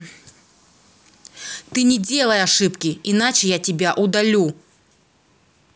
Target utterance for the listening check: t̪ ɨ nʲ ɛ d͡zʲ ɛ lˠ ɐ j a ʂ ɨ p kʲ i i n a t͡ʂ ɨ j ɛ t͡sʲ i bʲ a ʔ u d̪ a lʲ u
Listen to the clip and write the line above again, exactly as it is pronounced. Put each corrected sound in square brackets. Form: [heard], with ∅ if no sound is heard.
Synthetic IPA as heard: t̪ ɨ nʲ ɛ d͡zʲ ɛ lˠ ɐ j a ʂ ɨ p kʲ i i n a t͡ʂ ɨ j [a] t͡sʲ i bʲ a ʔ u d̪ a lʲ u